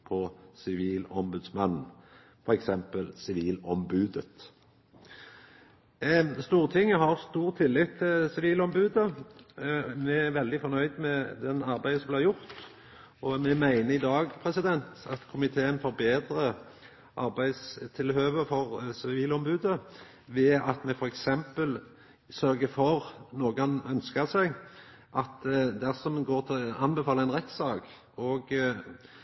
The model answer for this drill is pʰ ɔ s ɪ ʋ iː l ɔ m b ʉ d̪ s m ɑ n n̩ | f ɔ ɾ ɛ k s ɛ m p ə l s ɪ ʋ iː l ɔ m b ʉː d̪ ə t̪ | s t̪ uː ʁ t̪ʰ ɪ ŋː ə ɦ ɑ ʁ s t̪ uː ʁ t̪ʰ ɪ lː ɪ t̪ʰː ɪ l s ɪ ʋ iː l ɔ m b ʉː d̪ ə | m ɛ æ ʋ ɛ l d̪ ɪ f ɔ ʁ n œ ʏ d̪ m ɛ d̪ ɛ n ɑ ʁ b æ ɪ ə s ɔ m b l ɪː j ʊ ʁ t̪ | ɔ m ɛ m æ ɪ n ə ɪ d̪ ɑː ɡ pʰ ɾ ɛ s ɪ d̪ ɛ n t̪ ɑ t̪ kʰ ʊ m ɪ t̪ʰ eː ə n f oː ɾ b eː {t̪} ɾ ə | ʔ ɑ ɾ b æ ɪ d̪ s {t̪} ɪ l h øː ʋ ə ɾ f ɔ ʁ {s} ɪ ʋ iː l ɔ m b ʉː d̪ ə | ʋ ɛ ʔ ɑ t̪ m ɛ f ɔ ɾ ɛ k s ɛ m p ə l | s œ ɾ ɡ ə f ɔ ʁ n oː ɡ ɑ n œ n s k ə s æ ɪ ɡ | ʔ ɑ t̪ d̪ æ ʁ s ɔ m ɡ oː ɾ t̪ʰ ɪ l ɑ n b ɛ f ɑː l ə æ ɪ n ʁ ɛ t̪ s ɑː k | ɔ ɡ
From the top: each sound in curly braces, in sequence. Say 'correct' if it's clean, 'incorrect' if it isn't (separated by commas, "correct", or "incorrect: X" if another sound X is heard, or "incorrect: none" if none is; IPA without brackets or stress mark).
incorrect: d̪, incorrect: t̪ʰ, correct